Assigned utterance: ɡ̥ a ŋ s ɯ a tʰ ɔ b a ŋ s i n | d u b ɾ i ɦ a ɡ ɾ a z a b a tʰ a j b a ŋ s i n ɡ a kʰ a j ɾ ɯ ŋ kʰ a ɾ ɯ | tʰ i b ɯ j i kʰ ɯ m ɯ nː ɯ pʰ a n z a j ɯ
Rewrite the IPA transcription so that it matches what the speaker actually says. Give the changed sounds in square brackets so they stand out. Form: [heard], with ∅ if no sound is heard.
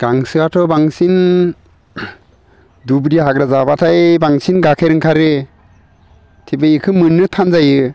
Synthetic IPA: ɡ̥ a ŋ s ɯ a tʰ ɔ b a ŋ s i n | d u b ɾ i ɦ a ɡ ɾ a z a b a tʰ a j b a ŋ s i n ɡ a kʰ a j ɾ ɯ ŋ kʰ a ɾ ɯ | tʰ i b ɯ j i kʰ ɯ m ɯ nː ɯ [tʰ] a n z a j ɯ